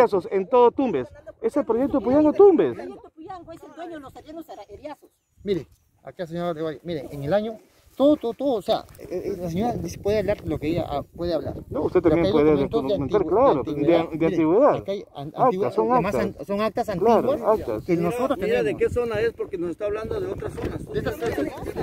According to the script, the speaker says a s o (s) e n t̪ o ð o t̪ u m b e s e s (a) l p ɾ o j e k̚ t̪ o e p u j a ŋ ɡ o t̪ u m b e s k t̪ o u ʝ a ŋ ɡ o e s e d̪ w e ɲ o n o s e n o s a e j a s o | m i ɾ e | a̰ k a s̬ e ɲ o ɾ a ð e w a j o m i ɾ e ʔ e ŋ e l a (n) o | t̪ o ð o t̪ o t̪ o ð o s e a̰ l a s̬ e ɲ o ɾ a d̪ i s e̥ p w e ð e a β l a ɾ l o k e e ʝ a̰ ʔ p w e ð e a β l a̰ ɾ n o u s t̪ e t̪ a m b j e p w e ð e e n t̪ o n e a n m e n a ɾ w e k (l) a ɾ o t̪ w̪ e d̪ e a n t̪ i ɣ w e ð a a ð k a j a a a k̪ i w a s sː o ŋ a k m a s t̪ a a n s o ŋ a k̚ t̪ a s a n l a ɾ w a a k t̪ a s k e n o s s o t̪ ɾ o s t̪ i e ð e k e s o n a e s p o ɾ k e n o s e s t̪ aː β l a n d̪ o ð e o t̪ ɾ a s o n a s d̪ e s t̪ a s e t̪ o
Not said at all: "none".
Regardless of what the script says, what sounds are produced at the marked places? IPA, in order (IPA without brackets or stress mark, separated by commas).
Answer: s, e, ɲ, l